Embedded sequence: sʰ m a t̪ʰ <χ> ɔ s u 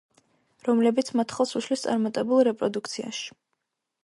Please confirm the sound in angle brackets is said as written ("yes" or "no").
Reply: yes